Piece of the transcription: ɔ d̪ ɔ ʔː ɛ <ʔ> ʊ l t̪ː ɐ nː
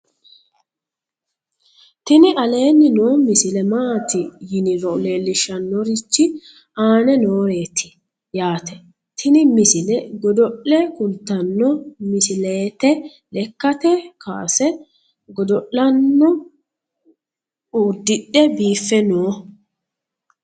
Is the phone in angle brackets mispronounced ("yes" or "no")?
yes